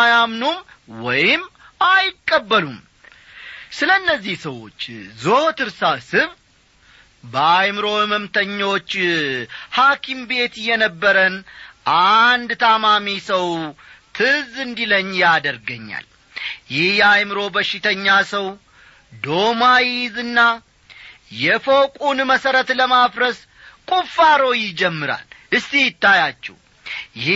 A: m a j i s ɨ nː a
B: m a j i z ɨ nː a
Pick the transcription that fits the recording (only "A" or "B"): B